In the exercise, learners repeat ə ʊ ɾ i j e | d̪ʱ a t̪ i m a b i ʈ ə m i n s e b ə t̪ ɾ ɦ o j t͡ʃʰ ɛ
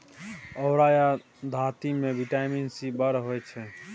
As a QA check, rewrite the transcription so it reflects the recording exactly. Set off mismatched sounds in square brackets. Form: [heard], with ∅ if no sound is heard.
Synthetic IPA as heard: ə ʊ ɾ [a] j [a] | d̪ʱ a t̪ i m [e] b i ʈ [a] m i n s [i] b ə [∅] ɾ ɦ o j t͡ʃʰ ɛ